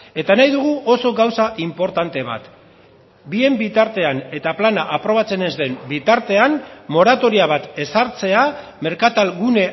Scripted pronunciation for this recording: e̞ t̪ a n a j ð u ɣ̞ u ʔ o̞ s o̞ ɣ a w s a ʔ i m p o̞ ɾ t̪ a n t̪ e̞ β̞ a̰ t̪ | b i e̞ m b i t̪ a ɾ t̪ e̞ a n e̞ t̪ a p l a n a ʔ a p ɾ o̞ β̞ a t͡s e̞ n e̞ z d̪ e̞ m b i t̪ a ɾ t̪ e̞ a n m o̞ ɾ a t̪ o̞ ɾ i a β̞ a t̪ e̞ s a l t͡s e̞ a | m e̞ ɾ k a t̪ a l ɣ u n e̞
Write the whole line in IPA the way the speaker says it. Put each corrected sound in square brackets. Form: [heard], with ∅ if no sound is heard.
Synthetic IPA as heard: e̞ t̪ a n a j ð u ɣ̞ u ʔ o̞ s o̞ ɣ a w s a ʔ i m p o̞ ɾ t̪ a n t̪ e̞ β̞ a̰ t̪ | b i e̞ m b i t̪ a ɾ t̪ e̞ a n e̞ t̪ a p l a n a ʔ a p ɾ o̞ β̞ a t͡s e̞ n e̞ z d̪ e̞ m b i t̪ a ɾ t̪ e̞ a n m o̞ ɾ a t̪ o̞ ɾ i a β̞ a t̪ e̞ s a [ɾ] t͡s e̞ a | m e̞ ɾ k a t̪ a l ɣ u n e̞

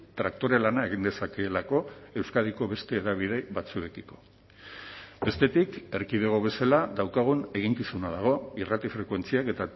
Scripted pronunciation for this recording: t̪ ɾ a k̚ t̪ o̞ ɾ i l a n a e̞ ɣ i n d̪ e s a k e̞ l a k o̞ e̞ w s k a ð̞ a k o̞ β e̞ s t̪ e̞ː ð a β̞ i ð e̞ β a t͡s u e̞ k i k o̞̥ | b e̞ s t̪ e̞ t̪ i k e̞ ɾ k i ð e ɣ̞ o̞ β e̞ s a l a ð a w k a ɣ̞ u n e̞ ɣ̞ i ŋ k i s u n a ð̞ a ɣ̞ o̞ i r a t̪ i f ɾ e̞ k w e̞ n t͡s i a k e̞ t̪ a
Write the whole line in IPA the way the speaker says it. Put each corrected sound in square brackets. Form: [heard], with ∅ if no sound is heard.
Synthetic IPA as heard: t̪ ɾ a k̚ t̪ o̞ ɾ [e] l a n a e̞ ɣ i n d̪ e s a k e̞ l a k o̞ e̞ w s k a ð̞ [i] k o̞ β e̞ s t̪ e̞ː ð a β̞ i ð e̞ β a t͡s u e̞ k i k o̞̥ | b e̞ s t̪ e̞ t̪ i k e̞ ɾ k i ð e ɣ̞ o̞ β e̞ s a l a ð a w k a ɣ̞ u n e̞ ɣ̞ i ŋ k i s u n a ð̞ a ɣ̞ o̞ i r a t̪ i f ɾ e̞ k w e̞ n t͡s i a k e̞ t̪ a

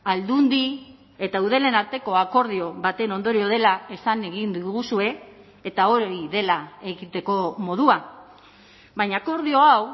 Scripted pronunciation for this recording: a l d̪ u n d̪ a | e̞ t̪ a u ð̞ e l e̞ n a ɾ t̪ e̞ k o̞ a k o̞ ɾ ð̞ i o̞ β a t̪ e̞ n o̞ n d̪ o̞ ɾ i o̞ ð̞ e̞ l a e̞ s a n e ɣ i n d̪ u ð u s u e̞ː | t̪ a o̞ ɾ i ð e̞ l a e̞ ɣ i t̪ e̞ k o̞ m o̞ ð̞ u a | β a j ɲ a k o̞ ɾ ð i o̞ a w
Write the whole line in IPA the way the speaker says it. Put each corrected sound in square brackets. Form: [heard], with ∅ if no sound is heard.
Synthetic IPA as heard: a l d̪ u n d̪ [i] | e̞ t̪ a u ð̞ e l e̞ n a ɾ t̪ e̞ k o̞ a k o̞ ɾ ð̞ i o̞ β a t̪ e̞ n o̞ n d̪ o̞ ɾ i o̞ ð̞ e̞ l a e̞ s a n e ɣ i n d̪ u [ɣ] u s u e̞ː | t̪ a o̞ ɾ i ð e̞ l a e̞ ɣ i t̪ e̞ k o̞ m o̞ ð̞ u a | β a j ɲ a k o̞ ɾ ð i o̞ a w

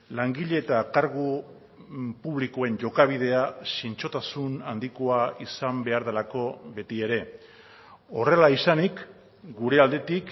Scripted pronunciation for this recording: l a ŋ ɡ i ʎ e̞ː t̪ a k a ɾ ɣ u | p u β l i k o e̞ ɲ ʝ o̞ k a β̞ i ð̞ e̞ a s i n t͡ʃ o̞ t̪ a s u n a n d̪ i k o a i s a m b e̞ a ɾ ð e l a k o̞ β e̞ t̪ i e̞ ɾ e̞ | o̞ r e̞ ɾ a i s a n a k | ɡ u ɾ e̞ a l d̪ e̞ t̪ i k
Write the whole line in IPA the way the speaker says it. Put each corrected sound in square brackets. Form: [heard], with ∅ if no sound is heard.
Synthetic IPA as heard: l a ŋ ɡ i ʎ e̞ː t̪ a k a ɾ ɣ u | p u β l i k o e̞ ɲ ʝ o̞ k a β̞ i ð̞ e̞ a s i n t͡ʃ o̞ t̪ a s u n a n d̪ i k o a i s a m b e̞ a ɾ ð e l a k o̞ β e̞ t̪ i e̞ ɾ e̞ | o̞ r e̞ [l] a i s a n [i] k | ɡ u ɾ e̞ a l d̪ e̞ t̪ i k

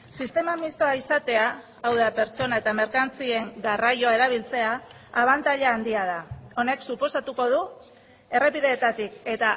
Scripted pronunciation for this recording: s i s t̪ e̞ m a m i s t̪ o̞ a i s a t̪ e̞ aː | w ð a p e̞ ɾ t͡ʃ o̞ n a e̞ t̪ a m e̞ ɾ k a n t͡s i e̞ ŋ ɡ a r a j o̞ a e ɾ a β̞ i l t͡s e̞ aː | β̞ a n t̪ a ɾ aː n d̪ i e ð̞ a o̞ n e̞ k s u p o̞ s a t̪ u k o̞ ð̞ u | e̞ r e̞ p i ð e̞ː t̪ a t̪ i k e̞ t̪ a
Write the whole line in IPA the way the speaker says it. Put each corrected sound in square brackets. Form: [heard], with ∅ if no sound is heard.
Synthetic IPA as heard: s i s t̪ e̞ m a m i s t̪ o̞ a i s a t̪ e̞ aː | w ð a p e̞ ɾ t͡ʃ o̞ n a e̞ t̪ a m e̞ ɾ k a n t͡s i e̞ ŋ ɡ a r a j o̞ a e ɾ a β̞ i l t͡s e̞ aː | β̞ a n t̪ a [ʎ] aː n d̪ i [a] ð̞ a o̞ n e̞ k s u p o̞ s a t̪ u k o̞ ð̞ u | e̞ r e̞ p i ð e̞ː t̪ a t̪ i k e̞ t̪ a

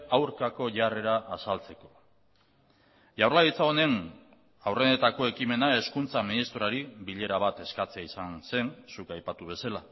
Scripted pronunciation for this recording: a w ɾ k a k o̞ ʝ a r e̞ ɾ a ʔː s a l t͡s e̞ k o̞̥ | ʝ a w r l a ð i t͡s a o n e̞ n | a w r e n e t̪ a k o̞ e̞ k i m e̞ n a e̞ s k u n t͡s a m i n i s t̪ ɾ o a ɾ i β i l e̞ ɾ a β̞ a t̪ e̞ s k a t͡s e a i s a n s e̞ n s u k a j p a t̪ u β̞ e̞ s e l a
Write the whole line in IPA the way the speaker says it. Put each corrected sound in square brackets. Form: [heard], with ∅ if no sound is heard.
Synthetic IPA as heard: a w ɾ k a k o̞ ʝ a r e̞ ɾ a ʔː s a l t͡s e̞ k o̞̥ | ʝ a w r l a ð i t͡s a o n e̞ n | a w r e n e t̪ a k o̞ e̞ k i m e̞ n a e̞ s k u n t͡s a m i n i s t̪ ɾ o a ɾ i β i [ʎ] e̞ ɾ a β̞ a t̪ e̞ s k a t͡s e a i s a n s e̞ n s u k a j p a t̪ u β̞ e̞ s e l a

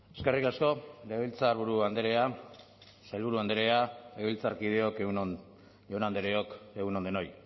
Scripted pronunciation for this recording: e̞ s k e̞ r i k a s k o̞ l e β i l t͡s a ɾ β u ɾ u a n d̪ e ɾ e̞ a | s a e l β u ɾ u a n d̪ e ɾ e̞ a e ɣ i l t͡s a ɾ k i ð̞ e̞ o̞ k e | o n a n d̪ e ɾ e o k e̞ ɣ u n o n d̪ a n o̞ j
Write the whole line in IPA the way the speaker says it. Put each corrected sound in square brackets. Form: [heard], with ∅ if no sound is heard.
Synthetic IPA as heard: e̞ s k e̞ r i k a s k o̞ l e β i l t͡s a ɾ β u ɾ u a n d̪ e ɾ e̞ a | s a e l β u ɾ u a n d̪ e ɾ e̞ a e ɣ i l t͡s a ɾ k i ð̞ e̞ o̞ k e | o n a n d̪ e ɾ e o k e̞ ɣ u n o n d̪ [e] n o̞ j

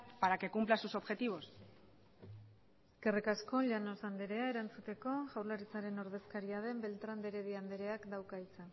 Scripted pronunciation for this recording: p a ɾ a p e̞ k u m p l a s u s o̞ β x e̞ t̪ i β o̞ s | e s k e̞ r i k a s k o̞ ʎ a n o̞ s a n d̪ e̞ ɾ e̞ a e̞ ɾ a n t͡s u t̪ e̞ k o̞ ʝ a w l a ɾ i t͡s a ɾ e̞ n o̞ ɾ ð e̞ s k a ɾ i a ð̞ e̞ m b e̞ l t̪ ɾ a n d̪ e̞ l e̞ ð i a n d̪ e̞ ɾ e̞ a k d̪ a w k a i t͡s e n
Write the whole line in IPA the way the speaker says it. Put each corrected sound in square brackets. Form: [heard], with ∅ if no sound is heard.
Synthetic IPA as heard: p a ɾ a [k] e̞ k u m p l a s u s o̞ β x e̞ t̪ i β o̞ s | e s k e̞ r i k a s k o̞ ʎ a n o̞ s a n d̪ e̞ ɾ e̞ a e̞ ɾ a n t͡s u t̪ e̞ k o̞ ʝ a w l a ɾ i t͡s a ɾ e̞ n o̞ ɾ ð e̞ s k a ɾ i a ð̞ e̞ m b e̞ l t̪ ɾ a n d̪ e̞ [ɾ] e̞ ð i a n d̪ e̞ ɾ e̞ a k d̪ a w k a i t͡s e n

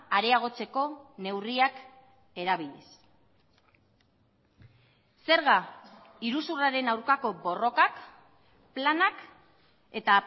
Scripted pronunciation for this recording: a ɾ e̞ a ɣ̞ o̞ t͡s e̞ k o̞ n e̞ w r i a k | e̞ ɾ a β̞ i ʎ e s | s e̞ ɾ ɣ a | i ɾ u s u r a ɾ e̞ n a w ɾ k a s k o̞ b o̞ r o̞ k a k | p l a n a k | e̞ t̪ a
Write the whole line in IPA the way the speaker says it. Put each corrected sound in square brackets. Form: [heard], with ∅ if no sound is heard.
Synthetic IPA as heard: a ɾ e̞ a ɣ̞ o̞ t͡s e̞ k o̞ n e̞ w r i a k | e̞ ɾ a β̞ i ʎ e s | s e̞ ɾ ɣ a | i ɾ u s u r a ɾ e̞ n a w ɾ k a [∅] k o̞ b o̞ r o̞ k a k | p l a n a k | e̞ t̪ a

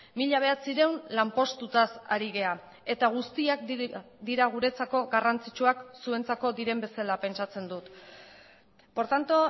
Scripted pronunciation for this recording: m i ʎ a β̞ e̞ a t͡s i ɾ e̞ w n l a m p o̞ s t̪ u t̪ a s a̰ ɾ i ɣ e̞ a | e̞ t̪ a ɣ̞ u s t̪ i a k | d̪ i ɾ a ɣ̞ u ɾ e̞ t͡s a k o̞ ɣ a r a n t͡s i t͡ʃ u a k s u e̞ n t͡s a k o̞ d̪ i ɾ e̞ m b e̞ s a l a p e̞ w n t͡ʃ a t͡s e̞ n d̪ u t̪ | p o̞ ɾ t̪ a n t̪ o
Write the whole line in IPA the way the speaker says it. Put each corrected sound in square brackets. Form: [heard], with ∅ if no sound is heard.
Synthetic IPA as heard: m i ʎ a β̞ e̞ a t͡s i ɾ e̞ w n l a m p o̞ s t̪ u t̪ a s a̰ ɾ i ɣ e̞ a | e̞ t̪ a ɣ̞ u s t̪ i a k | d̪ i ɾ a ɣ̞ u ɾ e̞ t͡s a k o̞ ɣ a r a n t͡s i t͡ʃ u a k s u e̞ n t͡s a k o̞ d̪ i ɾ e̞ m b e̞ s a l a p e̞ [∅] n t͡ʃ a t͡s e̞ n d̪ u t̪ | p o̞ ɾ t̪ a n t̪ o

